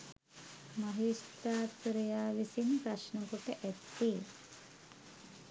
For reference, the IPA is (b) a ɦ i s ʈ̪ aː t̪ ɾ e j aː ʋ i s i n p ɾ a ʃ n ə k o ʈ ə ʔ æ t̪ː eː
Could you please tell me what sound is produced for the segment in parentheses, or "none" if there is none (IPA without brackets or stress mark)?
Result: m